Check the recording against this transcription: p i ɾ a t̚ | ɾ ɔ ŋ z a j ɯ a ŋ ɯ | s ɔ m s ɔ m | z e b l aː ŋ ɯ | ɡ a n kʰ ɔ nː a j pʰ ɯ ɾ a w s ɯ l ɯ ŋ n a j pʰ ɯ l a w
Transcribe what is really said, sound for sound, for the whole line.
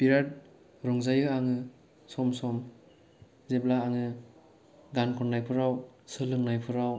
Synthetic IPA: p i ɾ a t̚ | ɾ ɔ ŋ z a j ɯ a ŋ ɯ | s ɔ m s ɔ m | z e b l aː ŋ ɯ | ɡ a n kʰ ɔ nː a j pʰ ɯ ɾ a w s ɯ l ɯ ŋ n a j pʰ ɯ ɾ a w